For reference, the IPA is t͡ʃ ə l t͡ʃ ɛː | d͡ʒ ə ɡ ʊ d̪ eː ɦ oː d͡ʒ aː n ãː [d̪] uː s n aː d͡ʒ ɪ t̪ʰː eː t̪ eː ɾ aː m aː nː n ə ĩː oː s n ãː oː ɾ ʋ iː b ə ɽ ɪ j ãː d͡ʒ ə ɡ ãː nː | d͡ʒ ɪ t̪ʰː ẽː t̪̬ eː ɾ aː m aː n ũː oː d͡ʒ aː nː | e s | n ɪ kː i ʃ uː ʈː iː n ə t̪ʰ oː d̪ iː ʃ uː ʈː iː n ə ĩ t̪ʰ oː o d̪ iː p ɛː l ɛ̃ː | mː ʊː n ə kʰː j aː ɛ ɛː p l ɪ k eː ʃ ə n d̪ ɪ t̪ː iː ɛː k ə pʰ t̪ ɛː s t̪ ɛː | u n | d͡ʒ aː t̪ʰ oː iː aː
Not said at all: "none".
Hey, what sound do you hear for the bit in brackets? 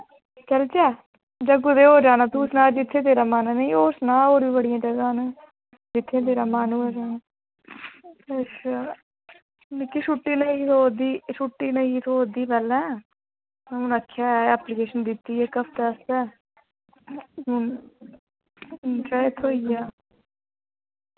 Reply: t̪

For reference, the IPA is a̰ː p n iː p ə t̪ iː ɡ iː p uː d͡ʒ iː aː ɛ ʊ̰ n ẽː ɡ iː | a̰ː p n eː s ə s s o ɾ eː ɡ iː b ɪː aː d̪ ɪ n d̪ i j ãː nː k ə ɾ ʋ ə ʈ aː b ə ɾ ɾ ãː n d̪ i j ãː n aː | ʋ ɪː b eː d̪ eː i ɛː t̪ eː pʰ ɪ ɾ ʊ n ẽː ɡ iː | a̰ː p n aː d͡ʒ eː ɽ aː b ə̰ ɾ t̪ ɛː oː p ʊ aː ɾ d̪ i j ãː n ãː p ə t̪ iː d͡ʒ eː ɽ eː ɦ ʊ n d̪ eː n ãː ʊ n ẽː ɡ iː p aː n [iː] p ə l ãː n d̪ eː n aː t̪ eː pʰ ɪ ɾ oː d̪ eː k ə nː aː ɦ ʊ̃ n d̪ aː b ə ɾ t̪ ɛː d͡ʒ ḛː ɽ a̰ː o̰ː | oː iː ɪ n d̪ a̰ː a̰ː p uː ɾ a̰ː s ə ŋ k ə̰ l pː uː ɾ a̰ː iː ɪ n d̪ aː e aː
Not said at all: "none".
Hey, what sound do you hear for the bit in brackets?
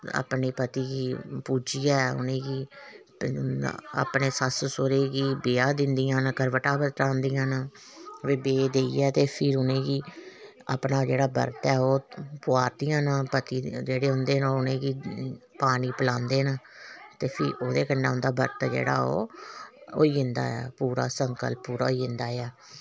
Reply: iː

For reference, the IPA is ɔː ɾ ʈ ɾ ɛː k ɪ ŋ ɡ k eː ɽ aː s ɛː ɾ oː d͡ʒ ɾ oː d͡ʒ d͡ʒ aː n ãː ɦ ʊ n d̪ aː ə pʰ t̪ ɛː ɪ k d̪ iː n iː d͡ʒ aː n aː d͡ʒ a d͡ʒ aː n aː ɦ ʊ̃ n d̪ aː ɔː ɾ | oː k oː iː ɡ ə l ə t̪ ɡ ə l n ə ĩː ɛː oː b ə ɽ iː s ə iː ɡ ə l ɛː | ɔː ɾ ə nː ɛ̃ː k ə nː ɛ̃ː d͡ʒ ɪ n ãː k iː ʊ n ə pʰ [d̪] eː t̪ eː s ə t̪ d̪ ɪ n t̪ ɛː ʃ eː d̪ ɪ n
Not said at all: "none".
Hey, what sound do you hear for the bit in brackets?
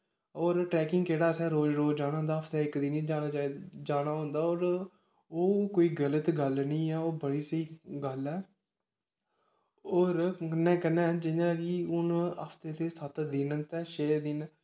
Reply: t̪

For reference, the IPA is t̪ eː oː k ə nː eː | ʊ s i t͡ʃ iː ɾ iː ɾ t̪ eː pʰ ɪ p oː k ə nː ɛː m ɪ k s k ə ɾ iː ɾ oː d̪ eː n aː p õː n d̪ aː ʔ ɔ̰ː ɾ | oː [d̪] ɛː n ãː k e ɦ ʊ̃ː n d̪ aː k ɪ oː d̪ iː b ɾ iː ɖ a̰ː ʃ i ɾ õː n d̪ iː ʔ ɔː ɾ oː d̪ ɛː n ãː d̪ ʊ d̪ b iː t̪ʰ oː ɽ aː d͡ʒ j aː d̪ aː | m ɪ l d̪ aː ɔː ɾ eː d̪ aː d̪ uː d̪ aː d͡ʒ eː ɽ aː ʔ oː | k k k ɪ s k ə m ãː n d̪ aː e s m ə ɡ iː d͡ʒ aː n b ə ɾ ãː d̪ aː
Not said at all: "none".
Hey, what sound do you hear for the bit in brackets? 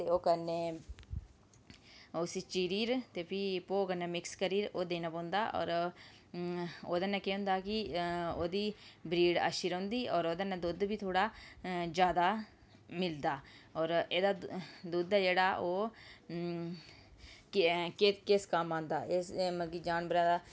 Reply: d̪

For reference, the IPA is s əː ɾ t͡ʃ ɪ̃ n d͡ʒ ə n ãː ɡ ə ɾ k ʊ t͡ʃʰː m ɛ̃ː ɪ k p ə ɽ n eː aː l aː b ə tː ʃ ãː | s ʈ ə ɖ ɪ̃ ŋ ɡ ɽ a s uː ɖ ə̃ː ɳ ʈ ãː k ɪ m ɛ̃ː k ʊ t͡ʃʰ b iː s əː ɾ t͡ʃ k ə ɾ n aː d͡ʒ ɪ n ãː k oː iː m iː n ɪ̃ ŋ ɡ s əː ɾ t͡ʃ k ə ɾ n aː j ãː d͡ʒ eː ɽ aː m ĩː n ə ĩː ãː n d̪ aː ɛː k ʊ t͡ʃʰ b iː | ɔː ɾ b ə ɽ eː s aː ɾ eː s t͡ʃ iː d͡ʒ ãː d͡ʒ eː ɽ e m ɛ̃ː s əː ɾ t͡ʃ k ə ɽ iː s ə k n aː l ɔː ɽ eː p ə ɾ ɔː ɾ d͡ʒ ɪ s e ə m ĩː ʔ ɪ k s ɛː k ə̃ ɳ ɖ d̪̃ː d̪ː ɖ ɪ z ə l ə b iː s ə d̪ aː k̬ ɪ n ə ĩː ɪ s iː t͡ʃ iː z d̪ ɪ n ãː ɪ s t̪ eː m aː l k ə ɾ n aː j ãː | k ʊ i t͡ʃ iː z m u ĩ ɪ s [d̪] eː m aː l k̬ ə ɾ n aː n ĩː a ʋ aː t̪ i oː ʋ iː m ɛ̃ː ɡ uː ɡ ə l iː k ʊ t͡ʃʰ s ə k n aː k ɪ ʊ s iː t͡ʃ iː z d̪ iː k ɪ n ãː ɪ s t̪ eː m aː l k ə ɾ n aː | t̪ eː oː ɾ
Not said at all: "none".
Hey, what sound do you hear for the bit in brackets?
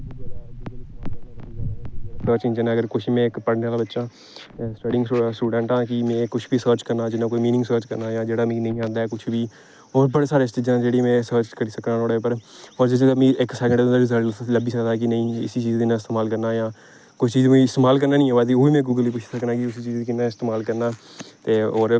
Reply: t̪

